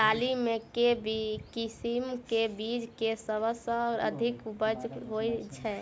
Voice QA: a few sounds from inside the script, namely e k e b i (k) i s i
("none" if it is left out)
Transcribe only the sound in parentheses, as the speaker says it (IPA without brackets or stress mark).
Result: k